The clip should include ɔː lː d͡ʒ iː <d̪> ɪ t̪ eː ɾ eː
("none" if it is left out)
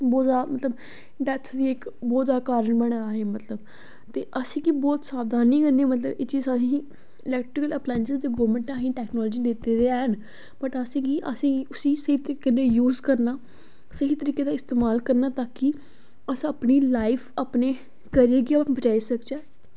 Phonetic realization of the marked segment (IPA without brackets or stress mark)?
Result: d̪